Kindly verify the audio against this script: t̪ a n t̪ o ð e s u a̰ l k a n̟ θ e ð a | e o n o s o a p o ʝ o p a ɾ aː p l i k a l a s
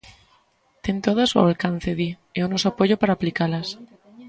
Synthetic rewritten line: t̪ e n t̪ o ð a s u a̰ l k a n̟ θ e ð i | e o n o s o a p o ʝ o p a ɾ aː p l i k a l a s